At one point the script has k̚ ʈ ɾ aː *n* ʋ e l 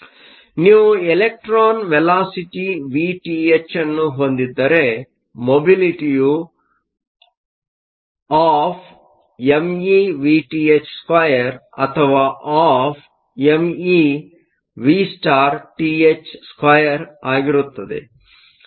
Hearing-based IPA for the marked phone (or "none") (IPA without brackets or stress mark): n